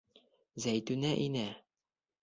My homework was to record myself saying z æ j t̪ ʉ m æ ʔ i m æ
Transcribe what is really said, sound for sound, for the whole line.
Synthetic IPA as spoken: z æ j t̪ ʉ n æ ʔ i n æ